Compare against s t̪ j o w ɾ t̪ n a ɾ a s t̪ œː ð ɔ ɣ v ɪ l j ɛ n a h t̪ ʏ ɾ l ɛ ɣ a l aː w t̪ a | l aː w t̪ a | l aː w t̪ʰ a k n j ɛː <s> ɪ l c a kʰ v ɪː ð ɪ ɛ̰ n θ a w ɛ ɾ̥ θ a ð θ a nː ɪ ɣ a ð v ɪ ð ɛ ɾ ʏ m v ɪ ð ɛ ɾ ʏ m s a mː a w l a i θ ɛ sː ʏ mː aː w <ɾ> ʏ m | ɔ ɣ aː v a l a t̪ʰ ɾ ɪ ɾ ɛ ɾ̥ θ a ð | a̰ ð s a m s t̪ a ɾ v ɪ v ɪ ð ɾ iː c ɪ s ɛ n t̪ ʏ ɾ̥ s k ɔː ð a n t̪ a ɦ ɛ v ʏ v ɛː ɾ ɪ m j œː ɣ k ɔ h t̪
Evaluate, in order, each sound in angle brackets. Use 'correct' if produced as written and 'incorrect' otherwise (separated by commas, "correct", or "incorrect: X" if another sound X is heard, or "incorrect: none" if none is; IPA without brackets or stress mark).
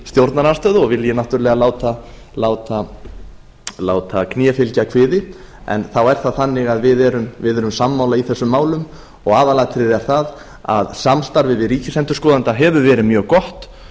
incorrect: f, incorrect: l